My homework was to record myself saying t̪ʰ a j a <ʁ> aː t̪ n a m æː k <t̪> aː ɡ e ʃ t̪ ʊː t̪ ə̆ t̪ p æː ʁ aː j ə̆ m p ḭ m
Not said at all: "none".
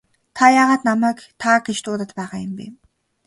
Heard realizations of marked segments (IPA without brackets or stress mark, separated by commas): ʁ, t̪ʰ